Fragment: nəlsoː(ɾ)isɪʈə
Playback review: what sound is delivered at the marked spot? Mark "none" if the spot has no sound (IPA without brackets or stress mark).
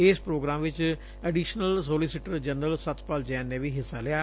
l